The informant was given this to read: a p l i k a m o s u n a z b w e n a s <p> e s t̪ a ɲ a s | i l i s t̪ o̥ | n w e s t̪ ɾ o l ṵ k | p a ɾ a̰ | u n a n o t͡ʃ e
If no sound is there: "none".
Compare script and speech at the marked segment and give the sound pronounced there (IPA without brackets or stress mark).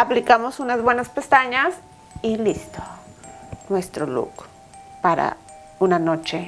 p